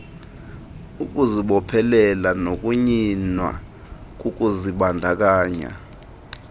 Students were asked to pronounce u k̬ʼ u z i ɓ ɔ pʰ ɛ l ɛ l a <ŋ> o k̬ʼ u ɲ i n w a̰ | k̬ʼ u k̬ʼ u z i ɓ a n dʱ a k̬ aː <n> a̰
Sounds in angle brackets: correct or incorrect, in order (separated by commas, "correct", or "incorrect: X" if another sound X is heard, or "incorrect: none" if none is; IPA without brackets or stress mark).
incorrect: n, incorrect: ɲ